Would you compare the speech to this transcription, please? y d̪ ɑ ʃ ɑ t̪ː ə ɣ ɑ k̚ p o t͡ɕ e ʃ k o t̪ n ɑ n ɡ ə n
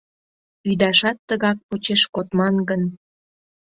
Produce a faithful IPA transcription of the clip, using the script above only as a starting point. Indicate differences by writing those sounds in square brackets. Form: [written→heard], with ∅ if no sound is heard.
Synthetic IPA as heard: y d̪ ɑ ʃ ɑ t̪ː ə ɣ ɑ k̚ p o t͡ɕ e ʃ k o t̪ [n→m] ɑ n ɡ ə n